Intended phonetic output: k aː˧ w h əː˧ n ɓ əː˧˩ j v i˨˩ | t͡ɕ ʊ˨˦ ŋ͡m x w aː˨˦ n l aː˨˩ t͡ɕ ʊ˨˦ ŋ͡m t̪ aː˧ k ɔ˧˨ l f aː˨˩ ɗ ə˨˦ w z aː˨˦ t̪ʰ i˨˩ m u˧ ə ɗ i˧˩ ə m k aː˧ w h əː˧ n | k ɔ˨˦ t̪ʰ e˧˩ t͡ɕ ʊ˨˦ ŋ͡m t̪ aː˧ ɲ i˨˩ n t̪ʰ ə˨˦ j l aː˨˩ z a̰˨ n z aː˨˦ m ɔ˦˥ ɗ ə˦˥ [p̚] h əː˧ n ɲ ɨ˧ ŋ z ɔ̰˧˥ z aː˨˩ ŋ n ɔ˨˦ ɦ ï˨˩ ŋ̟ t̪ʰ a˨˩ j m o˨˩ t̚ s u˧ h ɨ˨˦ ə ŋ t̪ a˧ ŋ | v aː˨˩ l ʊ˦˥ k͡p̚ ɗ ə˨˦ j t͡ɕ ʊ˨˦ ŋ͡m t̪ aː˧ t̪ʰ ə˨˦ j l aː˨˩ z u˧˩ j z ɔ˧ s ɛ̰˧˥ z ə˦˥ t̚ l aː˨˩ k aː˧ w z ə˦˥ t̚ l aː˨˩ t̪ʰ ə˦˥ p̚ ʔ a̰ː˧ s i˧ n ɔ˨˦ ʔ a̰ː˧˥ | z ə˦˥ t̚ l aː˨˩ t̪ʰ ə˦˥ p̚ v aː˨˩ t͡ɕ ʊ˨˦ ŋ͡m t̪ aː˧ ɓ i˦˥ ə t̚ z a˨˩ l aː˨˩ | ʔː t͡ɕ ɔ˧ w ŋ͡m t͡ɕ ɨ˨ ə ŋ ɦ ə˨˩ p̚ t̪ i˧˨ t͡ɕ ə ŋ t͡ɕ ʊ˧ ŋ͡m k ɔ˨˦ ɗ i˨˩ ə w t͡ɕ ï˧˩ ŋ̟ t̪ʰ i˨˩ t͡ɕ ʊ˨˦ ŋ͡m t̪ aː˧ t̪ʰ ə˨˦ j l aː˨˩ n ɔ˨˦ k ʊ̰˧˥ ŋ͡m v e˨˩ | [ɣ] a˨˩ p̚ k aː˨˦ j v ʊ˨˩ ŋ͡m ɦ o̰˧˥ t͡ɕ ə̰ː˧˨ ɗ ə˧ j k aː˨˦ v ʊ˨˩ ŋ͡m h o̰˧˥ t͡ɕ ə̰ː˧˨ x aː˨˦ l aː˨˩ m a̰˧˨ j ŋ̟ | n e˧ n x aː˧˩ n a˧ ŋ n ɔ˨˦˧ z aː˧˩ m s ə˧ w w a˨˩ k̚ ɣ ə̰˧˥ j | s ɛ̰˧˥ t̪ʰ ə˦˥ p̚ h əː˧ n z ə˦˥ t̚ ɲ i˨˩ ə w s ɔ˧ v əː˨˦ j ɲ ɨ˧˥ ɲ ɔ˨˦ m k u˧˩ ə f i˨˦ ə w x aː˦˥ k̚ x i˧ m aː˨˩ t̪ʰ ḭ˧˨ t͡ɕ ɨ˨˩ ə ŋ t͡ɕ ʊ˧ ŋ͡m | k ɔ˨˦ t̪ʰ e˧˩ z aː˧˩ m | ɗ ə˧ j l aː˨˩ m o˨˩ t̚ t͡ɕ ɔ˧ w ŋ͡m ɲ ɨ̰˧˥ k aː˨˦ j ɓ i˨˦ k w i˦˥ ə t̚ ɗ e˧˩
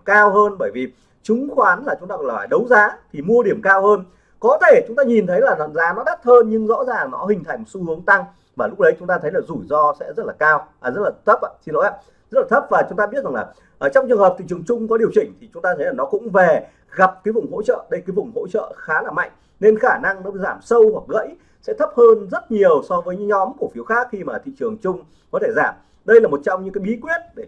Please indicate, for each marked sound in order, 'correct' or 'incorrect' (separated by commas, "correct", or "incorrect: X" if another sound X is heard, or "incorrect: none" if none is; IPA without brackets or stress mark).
incorrect: t̚, correct